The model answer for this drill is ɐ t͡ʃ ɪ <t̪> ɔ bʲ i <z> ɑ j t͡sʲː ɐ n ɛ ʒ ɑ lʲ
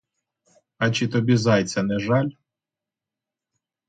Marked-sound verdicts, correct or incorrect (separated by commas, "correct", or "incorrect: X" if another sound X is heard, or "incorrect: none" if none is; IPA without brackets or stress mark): correct, correct